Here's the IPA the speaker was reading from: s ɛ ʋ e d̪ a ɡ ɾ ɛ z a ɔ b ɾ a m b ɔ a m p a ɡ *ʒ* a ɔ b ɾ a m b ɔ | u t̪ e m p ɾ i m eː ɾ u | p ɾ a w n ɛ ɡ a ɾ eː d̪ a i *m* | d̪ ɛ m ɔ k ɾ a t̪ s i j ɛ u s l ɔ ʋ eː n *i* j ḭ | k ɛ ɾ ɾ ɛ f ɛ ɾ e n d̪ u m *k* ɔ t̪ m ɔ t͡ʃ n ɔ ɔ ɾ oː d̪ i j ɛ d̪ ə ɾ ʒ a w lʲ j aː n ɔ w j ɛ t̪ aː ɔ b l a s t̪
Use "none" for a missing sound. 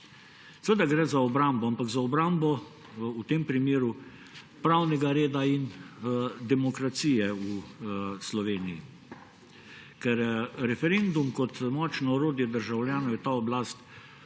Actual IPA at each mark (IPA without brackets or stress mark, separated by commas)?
z, n, i, k